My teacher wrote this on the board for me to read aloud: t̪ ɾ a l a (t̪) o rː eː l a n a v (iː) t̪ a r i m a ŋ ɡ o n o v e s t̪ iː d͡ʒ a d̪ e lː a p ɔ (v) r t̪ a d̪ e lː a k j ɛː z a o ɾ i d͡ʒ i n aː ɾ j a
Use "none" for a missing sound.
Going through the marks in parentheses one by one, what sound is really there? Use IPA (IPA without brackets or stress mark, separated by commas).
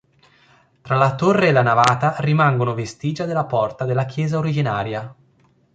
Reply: t̪, aː, none